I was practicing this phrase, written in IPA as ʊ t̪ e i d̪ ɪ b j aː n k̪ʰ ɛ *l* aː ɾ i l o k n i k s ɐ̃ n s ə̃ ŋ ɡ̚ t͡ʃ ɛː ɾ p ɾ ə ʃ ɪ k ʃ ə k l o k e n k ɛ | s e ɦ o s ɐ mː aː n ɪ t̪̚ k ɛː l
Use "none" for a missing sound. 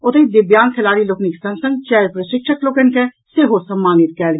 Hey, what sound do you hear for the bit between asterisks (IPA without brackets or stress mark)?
l